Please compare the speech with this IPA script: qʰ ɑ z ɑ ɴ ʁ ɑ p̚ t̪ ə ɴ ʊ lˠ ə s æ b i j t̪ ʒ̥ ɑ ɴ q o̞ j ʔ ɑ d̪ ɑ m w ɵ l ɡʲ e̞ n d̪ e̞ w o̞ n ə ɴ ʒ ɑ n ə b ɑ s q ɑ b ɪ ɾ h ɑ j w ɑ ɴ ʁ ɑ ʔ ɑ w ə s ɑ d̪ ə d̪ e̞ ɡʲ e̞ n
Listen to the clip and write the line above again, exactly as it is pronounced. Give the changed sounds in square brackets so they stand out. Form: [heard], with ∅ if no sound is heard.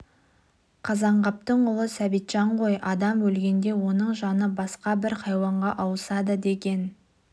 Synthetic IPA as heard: qʰ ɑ z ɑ ɴ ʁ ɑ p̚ t̪ ə ɴ ʊ lˠ ə s æ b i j t̪ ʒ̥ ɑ ɴ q o̞ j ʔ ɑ d̪ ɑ m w ɵ l ɡʲ e̞ n d̪ e̞ w o̞ n ə ɴ ʒ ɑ n ə b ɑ s q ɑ b ɪ ɾ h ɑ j w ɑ ɴ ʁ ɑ ʔ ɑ w ə s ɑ d̪ ə d̪ e̞ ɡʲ e̞ n